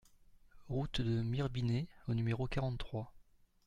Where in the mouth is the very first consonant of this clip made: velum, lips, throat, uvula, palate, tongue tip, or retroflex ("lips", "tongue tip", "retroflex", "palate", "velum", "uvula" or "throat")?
uvula